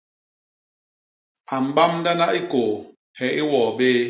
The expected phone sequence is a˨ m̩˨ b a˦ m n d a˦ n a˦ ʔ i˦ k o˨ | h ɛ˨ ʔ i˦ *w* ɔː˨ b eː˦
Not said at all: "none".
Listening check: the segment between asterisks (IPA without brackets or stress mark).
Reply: w